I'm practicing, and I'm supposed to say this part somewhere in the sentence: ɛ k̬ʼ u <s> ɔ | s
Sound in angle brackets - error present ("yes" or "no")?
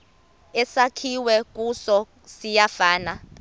no